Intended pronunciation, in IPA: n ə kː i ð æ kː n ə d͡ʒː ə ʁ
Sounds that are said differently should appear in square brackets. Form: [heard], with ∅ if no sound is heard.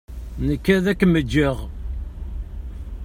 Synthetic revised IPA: n ə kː [æ] ð æ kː [m] ə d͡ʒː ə ʁ